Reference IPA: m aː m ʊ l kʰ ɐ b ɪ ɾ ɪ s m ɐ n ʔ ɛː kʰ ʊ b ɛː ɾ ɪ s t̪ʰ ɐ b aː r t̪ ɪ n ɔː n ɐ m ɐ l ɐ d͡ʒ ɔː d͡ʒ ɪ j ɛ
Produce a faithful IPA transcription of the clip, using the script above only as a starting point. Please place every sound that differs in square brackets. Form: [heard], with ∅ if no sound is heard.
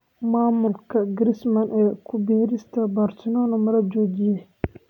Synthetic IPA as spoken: m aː m ʊ l kʰ ɐ [ɡ] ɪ ɾ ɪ s m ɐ n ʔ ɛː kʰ ʊ b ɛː ɾ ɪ s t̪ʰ ɐ b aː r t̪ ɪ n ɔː n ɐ m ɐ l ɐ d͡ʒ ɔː d͡ʒ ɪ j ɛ

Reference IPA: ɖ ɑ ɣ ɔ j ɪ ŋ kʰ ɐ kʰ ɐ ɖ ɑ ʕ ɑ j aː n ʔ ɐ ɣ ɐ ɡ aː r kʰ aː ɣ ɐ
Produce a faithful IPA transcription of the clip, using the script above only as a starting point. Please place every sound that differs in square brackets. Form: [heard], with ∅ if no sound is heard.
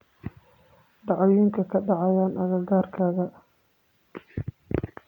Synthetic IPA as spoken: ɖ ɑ [ʕ] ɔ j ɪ ŋ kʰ ɐ kʰ ɐ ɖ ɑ ʕ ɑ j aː n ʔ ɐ ɣ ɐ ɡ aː r kʰ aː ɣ ɐ

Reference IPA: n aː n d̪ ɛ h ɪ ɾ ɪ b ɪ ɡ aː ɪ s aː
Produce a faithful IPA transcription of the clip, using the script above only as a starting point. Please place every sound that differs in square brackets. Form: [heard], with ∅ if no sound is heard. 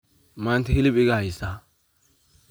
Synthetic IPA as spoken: [m] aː n [t̪] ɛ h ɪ [l] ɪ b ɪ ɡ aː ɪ s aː

